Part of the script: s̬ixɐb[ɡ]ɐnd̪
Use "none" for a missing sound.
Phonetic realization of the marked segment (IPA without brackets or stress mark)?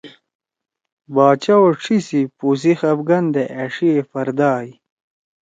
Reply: ɡ